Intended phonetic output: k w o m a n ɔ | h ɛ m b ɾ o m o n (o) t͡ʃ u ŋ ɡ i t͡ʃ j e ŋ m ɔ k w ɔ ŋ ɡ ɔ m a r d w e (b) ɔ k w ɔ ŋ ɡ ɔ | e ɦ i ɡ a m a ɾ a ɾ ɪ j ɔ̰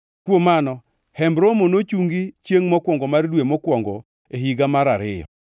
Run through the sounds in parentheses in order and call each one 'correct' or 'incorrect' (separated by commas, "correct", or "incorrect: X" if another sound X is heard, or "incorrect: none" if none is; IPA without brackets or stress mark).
correct, incorrect: m